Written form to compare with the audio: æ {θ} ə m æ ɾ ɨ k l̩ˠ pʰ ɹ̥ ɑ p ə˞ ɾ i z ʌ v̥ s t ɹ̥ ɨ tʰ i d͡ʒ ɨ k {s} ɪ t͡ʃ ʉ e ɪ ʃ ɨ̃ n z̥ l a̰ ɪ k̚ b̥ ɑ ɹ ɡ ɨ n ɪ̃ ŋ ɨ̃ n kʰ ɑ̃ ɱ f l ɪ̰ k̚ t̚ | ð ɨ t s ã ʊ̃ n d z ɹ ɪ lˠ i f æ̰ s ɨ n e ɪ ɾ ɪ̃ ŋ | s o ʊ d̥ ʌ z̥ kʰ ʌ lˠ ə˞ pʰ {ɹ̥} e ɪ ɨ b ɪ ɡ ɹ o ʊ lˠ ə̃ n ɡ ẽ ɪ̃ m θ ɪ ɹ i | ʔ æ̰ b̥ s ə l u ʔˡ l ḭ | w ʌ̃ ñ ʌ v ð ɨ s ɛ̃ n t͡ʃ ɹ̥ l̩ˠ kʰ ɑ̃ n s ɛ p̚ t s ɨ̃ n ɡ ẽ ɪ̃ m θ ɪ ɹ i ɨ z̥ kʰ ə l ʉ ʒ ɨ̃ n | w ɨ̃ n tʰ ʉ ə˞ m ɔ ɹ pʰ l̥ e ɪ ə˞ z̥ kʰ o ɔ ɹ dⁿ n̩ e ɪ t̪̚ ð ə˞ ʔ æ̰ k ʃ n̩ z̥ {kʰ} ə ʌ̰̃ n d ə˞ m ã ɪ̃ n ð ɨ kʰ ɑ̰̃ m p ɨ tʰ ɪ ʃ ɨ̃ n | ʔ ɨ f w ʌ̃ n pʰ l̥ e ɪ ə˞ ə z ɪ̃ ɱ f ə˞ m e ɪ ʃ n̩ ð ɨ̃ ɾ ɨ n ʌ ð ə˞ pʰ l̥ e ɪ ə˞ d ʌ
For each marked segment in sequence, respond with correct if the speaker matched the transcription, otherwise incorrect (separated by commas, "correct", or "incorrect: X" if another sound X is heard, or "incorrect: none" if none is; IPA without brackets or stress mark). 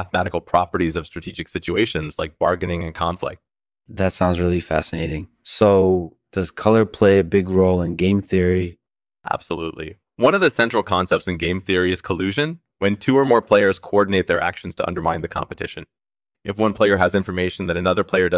correct, correct, incorrect: l̥, incorrect: tʰ